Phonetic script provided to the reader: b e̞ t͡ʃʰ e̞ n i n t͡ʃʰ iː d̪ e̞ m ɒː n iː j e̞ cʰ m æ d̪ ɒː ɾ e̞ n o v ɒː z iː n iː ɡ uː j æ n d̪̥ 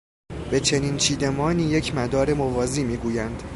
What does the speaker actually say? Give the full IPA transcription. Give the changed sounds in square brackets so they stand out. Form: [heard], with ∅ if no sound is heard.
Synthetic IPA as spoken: b e̞ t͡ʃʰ e̞ n i n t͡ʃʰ iː d̪ e̞ m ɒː n iː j e̞ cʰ m æ d̪ ɒː ɾ e̞ [m] o v ɒː z iː [m] iː ɡ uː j æ n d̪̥